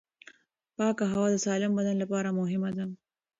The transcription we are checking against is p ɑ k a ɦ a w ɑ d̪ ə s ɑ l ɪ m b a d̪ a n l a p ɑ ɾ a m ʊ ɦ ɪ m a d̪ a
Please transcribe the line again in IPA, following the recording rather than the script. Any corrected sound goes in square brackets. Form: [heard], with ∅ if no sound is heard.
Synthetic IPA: p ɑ k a ɦ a w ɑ d̪ ə s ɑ l ɪ m b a d̪ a n l a p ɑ ɾ a m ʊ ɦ ɪ m a d̪ a